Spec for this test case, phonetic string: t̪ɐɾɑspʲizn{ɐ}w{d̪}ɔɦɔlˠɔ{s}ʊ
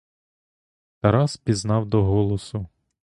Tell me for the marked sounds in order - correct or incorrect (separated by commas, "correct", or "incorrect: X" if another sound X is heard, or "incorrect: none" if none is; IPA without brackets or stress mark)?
incorrect: ɑ, correct, correct